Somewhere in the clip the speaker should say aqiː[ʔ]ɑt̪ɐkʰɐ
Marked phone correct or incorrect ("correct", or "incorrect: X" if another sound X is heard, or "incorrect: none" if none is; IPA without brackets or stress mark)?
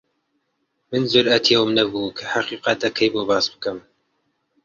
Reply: incorrect: q